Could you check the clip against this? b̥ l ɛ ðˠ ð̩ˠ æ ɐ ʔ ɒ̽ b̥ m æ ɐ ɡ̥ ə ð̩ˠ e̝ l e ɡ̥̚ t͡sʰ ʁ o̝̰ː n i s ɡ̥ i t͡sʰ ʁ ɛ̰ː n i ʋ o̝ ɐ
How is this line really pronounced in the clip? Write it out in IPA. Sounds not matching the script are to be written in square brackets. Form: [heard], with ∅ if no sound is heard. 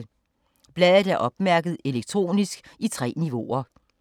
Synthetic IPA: b̥ l ɛ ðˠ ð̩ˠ æ ɐ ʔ ɒ̽ b̥ m æ ɐ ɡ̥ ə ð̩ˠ e̝ l e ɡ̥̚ t͡sʰ ʁ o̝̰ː n i s ɡ̥ i t͡sʰ ʁ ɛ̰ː n i ʋ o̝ ɐ